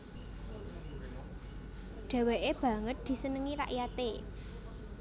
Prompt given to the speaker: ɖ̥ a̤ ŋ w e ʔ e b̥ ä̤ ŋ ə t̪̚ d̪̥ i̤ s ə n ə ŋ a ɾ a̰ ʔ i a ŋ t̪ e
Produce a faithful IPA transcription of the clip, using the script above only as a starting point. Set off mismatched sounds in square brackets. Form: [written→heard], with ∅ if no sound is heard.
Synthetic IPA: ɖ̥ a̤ [ŋ→∅] w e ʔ e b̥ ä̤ ŋ ə t̪̚ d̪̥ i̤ s ə n ə ŋ [a→i] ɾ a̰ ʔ [i→j] a [ŋ→∅] t̪ e